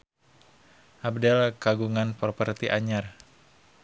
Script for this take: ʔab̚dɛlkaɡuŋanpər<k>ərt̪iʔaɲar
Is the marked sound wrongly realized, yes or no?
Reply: yes